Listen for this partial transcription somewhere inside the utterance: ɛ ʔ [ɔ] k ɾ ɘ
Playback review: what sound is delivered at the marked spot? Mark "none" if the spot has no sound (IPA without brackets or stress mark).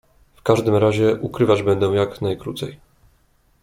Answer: u